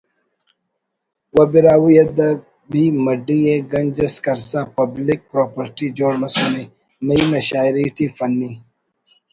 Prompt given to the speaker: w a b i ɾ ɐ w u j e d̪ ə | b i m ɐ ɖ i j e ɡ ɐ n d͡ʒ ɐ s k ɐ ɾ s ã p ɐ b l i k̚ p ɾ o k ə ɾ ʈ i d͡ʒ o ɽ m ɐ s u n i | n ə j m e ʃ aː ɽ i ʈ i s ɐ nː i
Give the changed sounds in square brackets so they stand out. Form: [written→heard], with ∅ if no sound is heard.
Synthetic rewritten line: w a b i ɾ [ɐ→a] w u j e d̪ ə | b i m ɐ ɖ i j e ɡ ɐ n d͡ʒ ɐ s k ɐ ɾ s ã p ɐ b l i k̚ p ɾ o [k→p] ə ɾ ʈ i d͡ʒ o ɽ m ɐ s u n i | n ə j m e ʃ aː [ɽ→ɾ] i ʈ i [s→f] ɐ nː i